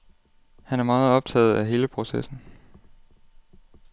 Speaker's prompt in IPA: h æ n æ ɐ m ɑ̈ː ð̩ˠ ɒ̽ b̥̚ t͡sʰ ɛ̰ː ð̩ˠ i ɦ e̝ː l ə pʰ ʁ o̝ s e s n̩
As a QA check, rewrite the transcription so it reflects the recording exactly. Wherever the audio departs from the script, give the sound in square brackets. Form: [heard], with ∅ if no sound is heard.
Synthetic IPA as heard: h æ n æ ɐ m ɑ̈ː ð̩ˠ ɒ̽ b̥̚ t͡sʰ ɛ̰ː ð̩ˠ [æ] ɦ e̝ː l ə pʰ ʁ o̝ s e s n̩